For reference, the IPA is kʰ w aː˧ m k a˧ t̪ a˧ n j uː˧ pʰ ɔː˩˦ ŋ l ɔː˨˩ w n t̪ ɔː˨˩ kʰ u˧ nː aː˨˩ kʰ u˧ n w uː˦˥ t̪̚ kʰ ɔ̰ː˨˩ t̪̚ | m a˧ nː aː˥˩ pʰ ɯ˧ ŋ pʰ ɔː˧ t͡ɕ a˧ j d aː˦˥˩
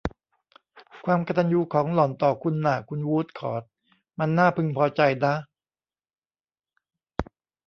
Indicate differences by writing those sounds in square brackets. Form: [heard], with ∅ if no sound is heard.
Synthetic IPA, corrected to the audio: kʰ w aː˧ m k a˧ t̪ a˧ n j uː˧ [kʰ] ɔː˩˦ ŋ l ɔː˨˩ [∅] n t̪ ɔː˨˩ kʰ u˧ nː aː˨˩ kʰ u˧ n w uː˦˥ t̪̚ kʰ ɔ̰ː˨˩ t̪̚ | m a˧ nː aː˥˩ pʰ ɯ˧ ŋ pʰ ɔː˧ t͡ɕ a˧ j d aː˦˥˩